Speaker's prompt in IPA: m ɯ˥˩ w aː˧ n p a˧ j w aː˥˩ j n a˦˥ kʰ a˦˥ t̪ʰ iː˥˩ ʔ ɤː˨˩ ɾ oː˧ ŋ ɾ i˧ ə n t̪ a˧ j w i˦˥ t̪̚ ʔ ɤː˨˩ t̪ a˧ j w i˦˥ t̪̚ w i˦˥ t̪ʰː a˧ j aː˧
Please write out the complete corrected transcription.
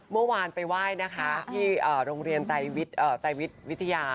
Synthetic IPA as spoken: m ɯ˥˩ w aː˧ n p a˧ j w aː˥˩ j n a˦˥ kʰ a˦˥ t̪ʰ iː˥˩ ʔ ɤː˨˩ ɾ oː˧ ŋ ɾ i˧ ə n t̪ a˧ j w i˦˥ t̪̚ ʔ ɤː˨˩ t̪ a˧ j w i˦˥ t̪̚ w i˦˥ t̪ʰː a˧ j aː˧